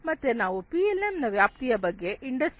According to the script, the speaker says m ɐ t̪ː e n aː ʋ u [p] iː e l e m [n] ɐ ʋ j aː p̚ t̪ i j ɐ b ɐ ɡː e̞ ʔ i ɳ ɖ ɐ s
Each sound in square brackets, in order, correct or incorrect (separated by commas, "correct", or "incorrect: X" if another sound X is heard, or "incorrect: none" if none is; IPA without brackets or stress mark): correct, correct